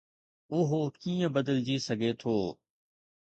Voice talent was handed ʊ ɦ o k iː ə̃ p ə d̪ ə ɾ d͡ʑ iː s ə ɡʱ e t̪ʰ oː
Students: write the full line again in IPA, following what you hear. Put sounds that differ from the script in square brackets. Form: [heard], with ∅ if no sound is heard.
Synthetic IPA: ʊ ɦ o k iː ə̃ [b] ə d̪ ə [l] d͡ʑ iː s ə ɡʱ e t̪ʰ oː

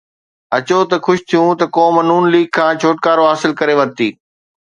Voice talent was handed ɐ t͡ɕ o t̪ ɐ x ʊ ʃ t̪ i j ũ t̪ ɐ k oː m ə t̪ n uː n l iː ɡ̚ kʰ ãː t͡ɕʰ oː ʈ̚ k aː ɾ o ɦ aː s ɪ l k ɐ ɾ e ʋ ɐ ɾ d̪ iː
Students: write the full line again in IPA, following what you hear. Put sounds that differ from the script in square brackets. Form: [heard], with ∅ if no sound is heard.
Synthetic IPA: ɐ t͡ɕ o t̪ ɐ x ʊ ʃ [t̪ʰ] i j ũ t̪ ɐ k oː m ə [∅] n uː n l iː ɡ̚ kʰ ãː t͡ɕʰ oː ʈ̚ k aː ɾ o ɦ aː s ɪ l k ɐ ɾ e ʋ ɐ ɾ [t̪] iː

